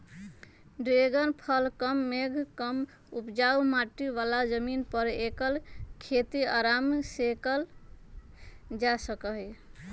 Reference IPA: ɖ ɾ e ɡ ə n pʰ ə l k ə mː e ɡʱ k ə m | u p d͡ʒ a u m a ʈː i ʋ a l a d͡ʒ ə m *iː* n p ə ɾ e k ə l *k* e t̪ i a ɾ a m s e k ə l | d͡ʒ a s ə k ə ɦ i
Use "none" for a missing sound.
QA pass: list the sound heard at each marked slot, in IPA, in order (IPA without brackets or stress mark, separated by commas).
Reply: i, kʰ